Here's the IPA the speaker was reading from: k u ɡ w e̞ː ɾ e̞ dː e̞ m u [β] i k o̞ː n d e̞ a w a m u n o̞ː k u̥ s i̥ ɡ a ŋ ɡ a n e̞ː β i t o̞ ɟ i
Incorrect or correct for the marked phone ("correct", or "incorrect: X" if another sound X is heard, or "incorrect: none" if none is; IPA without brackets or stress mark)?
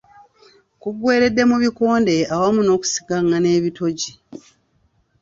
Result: correct